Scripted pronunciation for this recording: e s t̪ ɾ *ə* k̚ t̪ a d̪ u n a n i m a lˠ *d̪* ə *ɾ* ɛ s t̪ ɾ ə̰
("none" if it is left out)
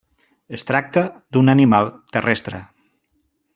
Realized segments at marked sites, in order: a, t̪, r

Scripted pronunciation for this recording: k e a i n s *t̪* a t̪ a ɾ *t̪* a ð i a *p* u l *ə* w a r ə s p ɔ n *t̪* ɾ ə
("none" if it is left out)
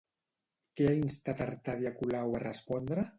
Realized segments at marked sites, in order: t̪, t̪, k, a, d̪

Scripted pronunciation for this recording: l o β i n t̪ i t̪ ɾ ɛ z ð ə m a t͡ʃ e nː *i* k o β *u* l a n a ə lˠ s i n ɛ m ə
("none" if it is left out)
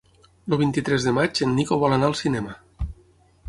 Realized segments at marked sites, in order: i, ɔ

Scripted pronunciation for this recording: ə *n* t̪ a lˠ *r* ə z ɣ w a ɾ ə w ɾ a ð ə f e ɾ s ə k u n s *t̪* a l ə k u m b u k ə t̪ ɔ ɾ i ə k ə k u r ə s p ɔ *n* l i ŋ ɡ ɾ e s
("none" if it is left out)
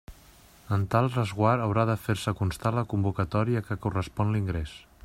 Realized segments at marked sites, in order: n, r, t̪, n

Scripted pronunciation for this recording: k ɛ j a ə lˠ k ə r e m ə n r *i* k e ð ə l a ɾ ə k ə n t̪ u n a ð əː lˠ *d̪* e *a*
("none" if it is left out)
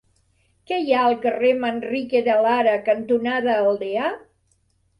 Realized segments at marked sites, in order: i, d̪, a

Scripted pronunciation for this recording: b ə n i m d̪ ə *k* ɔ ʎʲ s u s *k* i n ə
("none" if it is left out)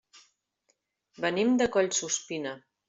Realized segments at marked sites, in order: k, p

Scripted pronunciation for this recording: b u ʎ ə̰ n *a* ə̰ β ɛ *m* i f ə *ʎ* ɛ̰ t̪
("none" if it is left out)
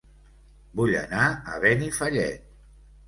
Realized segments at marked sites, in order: a, n, ʎ

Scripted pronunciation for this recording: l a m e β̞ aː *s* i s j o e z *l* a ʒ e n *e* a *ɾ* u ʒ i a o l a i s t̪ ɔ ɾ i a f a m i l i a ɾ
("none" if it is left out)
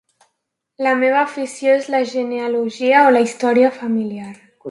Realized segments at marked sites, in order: f, l, e, l

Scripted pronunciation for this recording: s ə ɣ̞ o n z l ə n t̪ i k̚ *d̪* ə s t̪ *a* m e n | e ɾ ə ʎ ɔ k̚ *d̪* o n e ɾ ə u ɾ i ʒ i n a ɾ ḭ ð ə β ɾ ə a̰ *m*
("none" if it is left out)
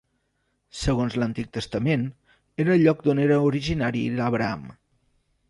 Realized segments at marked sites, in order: t̪, ə, d̪, m

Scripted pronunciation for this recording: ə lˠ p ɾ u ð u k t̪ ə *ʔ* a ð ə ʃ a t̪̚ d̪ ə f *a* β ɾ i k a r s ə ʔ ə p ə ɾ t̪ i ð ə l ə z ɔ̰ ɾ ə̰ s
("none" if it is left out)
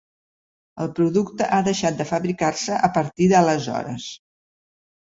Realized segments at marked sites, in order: ʔ, ə

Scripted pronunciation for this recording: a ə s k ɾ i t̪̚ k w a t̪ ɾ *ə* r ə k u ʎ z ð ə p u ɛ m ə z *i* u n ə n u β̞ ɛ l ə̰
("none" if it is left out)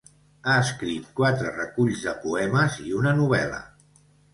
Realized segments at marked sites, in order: ə, i

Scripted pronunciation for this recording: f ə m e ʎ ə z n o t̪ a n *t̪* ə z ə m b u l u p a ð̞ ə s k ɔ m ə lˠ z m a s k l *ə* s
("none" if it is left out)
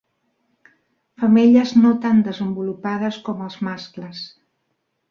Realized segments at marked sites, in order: d̪, ə

